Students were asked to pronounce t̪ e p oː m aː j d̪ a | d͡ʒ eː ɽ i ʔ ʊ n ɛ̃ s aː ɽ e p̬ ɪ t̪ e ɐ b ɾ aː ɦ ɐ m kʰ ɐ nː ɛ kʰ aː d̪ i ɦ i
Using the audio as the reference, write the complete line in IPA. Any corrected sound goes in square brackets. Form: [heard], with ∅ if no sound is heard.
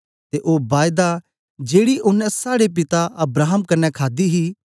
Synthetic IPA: t̪ e [ʔ] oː [b] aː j d̪ a | d͡ʒ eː ɽ i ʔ ʊ n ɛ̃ s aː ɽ e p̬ ɪ t̪ [a] ɐ b ɾ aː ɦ [ə] m [k] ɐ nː ɛ kʰ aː d̪ i ɦ i

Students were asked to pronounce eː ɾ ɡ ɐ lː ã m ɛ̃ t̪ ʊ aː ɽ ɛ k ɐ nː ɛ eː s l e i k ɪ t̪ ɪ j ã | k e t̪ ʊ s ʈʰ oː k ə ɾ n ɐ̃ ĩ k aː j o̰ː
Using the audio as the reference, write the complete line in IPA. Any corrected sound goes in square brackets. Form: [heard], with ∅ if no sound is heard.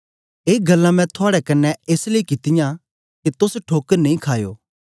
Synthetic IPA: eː [∅] ɡ ɐ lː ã m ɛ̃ [t̪ʰ] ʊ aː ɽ ɛ k ɐ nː ɛ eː s l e i k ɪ t̪ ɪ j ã | k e t̪ ʊ s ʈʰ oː k ə ɾ n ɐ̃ ĩ [kʰ] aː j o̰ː

